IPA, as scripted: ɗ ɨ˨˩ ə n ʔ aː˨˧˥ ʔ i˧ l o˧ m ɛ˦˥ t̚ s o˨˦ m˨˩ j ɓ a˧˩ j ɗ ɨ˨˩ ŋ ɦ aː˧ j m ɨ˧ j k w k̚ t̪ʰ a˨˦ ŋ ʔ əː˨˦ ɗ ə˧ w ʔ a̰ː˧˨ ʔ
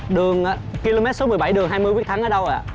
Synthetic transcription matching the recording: ɗ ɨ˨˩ ə ŋ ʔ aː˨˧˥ k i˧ l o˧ m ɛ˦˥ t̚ s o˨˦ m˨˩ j ɓ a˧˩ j ɗ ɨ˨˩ ŋ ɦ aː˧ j m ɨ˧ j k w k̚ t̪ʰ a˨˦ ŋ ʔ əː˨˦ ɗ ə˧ w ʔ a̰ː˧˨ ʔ

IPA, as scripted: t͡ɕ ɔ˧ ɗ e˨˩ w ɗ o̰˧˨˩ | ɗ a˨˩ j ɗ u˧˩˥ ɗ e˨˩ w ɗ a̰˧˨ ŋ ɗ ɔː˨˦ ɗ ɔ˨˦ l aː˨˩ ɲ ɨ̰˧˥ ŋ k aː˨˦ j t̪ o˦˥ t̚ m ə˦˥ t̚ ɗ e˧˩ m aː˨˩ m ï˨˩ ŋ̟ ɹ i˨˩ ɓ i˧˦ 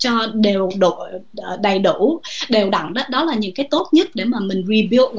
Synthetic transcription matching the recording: t͡ɕ ɔ˧ ɗ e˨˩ w ɗ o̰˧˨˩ | ɗ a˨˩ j ɗ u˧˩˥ ɗ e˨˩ w ɗ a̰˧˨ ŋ ɗ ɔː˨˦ ɗ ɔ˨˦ l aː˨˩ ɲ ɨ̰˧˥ ŋ k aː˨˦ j t̪ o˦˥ t̚ ɲ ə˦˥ t̚ ɗ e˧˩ m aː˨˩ m ï˨˩ ŋ̟ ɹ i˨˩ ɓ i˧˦

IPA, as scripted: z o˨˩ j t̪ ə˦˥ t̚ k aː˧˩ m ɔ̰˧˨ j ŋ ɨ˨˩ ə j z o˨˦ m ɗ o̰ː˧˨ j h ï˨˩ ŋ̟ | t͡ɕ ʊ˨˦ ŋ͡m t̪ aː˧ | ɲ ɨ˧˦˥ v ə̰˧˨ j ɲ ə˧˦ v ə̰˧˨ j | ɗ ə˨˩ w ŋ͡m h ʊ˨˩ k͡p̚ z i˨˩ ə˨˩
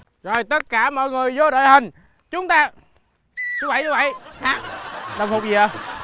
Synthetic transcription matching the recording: z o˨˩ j t̪ ə˦˥ t̚ k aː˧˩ m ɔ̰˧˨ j ŋ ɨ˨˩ ə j z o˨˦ ɗ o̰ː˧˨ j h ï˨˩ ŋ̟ | t͡ɕ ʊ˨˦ ŋ͡m t̪ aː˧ | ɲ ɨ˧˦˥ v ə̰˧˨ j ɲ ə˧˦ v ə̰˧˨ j | ɗ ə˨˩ w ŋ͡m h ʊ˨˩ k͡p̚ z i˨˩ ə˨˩

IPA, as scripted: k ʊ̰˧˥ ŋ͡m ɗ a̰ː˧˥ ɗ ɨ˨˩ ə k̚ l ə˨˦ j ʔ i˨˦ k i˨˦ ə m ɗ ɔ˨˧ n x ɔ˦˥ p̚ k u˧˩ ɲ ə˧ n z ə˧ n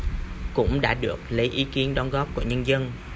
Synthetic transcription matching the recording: k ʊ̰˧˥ ŋ͡m ɗ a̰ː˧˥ ɗ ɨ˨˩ ə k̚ l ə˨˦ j ʔ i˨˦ k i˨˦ ə n ɗ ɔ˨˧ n ɣ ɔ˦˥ p̚ k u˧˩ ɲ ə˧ n z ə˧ n

